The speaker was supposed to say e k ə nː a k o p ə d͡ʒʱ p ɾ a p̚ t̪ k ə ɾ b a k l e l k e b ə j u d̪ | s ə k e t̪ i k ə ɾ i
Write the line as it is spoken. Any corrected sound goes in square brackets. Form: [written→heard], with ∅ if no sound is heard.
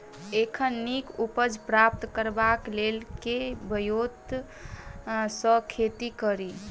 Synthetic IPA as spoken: e [k→kʰ] ə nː [a→i] k [o→u] p ə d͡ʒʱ p ɾ a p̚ t̪ k ə ɾ b a k l e l k e b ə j [u→o] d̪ | s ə [k→kʰ] e t̪ i k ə ɾ i